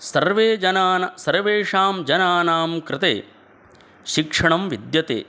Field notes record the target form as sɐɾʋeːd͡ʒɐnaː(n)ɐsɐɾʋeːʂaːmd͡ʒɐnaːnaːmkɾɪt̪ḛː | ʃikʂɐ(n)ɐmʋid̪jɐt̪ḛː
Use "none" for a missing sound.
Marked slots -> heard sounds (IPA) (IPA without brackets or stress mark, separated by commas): n, ɳ